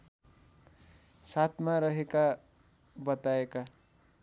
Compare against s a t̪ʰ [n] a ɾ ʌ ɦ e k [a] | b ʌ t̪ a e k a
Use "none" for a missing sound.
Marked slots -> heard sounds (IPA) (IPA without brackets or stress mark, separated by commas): m, a